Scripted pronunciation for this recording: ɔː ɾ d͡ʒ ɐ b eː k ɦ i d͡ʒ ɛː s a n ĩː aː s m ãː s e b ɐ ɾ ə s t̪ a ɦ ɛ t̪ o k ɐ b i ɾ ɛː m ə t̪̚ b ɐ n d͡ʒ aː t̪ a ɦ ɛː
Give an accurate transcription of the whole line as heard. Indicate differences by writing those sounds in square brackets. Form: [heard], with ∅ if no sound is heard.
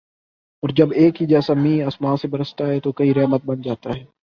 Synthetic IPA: ɔː ɾ d͡ʒ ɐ b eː k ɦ i d͡ʒ ɛː s a [m] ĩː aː s m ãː s e b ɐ ɾ ə s t̪ a ɦ ɛ t̪ o k ɐ [∅] i ɾ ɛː m ə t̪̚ b ɐ n d͡ʒ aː t̪ a ɦ ɛː